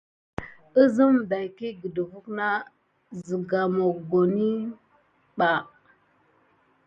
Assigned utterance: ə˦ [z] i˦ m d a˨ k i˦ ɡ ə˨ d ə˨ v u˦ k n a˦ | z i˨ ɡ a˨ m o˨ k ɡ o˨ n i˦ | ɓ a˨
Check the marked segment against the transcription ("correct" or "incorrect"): correct